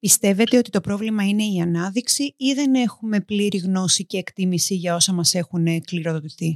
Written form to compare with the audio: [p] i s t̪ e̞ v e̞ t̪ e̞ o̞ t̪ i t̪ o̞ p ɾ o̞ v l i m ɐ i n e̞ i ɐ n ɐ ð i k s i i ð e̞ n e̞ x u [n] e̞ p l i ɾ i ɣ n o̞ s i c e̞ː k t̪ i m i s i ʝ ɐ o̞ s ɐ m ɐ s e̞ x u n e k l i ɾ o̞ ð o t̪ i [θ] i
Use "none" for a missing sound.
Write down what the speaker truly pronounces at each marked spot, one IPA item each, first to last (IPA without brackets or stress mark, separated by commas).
p, m, θ